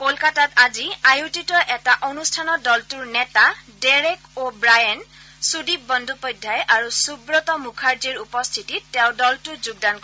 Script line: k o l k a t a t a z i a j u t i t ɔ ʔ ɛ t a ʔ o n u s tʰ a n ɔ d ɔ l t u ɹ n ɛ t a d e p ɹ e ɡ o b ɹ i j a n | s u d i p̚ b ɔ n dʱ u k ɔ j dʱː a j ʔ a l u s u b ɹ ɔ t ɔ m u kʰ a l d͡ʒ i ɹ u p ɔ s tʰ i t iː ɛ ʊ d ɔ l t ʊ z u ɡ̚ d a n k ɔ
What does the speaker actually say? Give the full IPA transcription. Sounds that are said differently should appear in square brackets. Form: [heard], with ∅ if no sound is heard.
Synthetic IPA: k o l k a t a t a z i a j u t i t ɔ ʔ ɛ t a ʔ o n u s tʰ a n ɔ d ɔ l t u ɹ n ɛ t a d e [∅] ɹ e [k] o b ɹ [a] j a n | s u d i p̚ b ɔ n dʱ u [p] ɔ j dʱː a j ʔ a [ɹ] u s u b ɹ ɔ t ɔ m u kʰ a [ɹ] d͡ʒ i ɹ u p ɔ s tʰ i t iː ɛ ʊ d ɔ l t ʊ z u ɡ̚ d a n k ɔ